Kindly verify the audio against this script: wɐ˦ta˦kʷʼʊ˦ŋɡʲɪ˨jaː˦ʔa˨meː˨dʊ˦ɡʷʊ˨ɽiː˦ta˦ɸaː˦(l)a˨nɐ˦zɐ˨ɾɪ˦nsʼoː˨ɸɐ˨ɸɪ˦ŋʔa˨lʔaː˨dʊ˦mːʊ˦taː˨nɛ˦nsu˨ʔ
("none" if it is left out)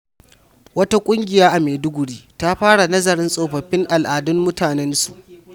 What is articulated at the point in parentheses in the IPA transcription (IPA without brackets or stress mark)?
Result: ɽ